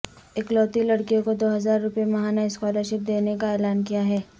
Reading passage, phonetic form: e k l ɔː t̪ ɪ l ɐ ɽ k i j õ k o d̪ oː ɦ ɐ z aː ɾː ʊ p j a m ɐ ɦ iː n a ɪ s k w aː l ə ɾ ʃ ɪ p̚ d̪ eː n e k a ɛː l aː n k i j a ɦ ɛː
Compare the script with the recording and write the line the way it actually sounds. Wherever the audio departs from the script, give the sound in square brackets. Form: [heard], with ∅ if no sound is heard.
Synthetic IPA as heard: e k l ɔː t̪ [i] l ɐ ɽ k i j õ k o d̪ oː ɦ ɐ z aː ɾː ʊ p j [e] m ɐ ɦ [aː] n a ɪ s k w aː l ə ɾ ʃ ɪ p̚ d̪ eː n e k a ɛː l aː n k i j a ɦ ɛː